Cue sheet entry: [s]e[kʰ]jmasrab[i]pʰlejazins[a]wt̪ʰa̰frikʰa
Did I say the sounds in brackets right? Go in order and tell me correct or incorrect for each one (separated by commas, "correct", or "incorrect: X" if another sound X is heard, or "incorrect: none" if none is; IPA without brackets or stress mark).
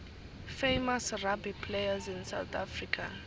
incorrect: f, incorrect: none, correct, correct